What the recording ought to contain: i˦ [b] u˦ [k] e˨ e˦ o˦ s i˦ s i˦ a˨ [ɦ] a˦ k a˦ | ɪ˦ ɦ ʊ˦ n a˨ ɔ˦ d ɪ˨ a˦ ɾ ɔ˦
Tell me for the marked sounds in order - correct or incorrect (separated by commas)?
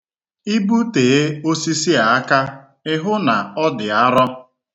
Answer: correct, incorrect, incorrect